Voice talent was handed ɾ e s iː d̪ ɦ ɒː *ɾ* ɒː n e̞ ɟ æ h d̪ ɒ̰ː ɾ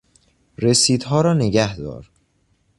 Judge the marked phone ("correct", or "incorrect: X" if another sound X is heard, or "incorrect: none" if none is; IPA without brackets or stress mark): correct